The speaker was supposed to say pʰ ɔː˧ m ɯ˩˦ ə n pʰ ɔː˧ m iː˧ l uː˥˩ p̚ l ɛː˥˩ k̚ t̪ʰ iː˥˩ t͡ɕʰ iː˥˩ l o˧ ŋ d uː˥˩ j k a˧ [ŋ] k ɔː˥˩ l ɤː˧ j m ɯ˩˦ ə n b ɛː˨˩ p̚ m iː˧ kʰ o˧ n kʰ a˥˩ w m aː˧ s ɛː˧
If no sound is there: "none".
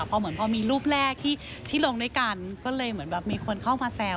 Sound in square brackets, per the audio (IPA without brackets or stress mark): n